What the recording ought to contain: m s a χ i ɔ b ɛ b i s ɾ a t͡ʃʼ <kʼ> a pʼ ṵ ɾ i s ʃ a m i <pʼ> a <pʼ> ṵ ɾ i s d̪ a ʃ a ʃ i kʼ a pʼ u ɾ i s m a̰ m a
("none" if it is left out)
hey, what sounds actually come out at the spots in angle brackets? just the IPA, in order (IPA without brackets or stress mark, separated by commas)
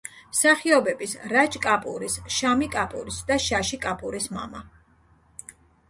kʼ, kʼ, pʼ